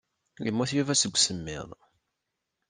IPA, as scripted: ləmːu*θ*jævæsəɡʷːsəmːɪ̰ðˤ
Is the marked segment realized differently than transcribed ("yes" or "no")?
no